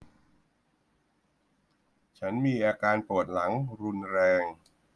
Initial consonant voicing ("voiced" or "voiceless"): voiceless